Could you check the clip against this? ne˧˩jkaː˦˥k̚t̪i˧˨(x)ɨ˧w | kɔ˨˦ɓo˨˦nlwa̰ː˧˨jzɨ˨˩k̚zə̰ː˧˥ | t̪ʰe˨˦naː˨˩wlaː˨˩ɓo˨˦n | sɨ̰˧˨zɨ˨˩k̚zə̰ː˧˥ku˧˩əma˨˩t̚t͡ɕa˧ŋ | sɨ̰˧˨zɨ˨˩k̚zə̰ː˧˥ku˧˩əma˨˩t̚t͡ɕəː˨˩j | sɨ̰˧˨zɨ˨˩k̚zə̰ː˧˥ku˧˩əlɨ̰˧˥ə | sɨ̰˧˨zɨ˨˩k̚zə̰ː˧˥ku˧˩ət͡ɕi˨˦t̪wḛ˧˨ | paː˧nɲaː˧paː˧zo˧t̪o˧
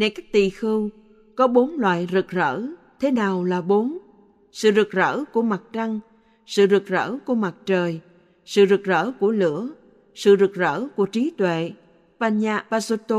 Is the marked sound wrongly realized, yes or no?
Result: no